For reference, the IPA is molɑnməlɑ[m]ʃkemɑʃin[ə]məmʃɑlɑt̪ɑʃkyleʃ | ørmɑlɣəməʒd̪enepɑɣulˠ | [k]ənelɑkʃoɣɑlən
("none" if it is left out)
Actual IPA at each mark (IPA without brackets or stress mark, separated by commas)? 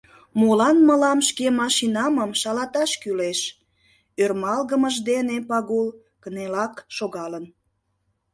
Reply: m, ɑ, k